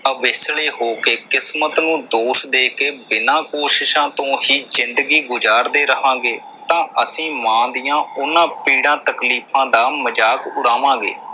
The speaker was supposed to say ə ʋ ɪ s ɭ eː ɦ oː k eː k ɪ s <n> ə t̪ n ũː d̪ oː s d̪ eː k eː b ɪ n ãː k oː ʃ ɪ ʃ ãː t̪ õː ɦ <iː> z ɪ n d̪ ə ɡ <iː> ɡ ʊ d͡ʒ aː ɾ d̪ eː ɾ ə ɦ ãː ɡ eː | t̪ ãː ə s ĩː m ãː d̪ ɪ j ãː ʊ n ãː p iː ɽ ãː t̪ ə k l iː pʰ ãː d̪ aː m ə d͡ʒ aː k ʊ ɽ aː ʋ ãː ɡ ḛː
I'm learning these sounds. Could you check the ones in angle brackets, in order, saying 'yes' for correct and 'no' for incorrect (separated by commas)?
no, yes, yes